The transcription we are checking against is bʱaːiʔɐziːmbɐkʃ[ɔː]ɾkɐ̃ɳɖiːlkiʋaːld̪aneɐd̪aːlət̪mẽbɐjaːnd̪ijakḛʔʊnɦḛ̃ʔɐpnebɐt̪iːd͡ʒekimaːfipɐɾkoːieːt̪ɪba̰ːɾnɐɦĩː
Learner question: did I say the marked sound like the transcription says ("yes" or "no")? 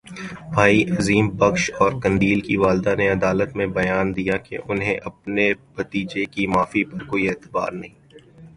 yes